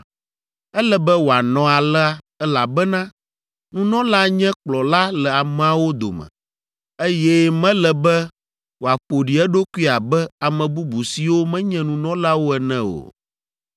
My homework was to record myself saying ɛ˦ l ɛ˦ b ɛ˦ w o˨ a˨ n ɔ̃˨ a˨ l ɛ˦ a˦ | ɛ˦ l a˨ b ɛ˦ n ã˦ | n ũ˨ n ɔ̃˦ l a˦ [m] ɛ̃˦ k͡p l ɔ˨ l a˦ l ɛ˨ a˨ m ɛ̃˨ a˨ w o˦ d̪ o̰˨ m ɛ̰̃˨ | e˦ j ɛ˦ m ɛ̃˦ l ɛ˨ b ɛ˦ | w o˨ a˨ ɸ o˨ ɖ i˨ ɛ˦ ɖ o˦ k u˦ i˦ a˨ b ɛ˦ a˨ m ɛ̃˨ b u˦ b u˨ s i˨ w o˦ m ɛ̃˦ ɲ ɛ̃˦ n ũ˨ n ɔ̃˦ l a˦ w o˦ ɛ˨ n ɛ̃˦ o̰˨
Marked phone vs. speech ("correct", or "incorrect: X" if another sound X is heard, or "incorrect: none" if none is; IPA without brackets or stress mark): incorrect: ɲ